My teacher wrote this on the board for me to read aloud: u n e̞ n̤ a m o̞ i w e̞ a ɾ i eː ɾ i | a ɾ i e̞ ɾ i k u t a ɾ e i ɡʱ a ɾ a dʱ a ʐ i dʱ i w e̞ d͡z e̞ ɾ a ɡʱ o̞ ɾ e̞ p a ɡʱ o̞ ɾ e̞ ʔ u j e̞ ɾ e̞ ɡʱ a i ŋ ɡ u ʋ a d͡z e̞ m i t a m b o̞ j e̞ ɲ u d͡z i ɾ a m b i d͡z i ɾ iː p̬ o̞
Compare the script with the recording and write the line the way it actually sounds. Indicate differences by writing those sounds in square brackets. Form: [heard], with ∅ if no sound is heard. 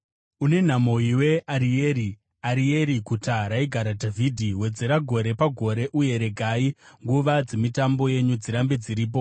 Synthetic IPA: u n e̞ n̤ a m o̞ i w e̞ a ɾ i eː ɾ i | a ɾ i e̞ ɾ i k u t a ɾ [a] i ɡʱ a ɾ a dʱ a [v] i dʱ i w e̞ d͡z e̞ ɾ a ɡʱ o̞ ɾ e̞ p a ɡʱ o̞ ɾ e̞ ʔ u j e̞ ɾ e̞ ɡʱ a i ŋ ɡ u ʋ a d͡z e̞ m i t a m b o̞ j e̞ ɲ u d͡z i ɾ a m b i d͡z i ɾ iː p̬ o̞